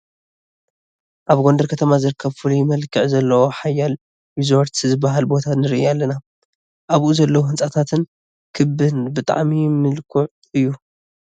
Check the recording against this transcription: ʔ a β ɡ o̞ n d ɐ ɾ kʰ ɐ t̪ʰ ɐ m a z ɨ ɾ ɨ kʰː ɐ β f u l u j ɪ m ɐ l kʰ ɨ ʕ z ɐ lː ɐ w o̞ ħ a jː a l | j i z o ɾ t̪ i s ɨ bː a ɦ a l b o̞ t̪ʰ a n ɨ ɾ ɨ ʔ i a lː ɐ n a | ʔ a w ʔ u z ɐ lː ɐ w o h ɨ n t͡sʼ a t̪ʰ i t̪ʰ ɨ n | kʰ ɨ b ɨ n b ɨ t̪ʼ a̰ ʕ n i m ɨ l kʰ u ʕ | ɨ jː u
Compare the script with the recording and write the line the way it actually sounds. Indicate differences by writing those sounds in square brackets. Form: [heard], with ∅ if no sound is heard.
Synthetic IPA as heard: ʔ a β ɡ o̞ n d ɐ ɾ kʰ ɐ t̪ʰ ɐ m a z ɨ ɾ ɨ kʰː ɐ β f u l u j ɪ m ɐ l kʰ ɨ ʕ z ɐ lː ɐ w o̞ ħ a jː a l | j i z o ɾ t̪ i [z] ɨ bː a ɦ a l b o̞ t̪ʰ a n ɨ ɾ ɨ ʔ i a lː ɐ n a | ʔ a [β] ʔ u z ɐ lː ɐ w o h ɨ n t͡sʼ a t̪ʰ [a] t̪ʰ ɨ n | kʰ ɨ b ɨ n b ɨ t̪ʼ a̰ ʕ [m] i m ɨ l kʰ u ʕ | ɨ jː u